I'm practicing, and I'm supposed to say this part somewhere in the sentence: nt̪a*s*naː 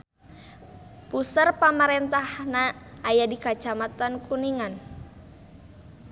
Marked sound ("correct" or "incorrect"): incorrect